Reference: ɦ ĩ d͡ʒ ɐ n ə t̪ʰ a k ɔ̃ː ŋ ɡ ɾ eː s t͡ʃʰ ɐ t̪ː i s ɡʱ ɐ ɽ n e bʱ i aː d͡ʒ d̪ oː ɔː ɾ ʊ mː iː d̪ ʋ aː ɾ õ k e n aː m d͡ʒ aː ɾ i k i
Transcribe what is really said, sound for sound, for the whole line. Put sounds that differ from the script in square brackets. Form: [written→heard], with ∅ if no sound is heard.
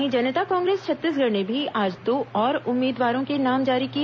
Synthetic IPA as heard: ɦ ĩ d͡ʒ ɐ n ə [t̪ʰ→t̪] a k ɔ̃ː ŋ ɡ ɾ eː s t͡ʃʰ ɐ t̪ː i s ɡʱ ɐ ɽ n e bʱ i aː d͡ʒ d̪ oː ɔː ɾ ʊ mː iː d̪ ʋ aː ɾ õ k e n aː m d͡ʒ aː ɾ i k i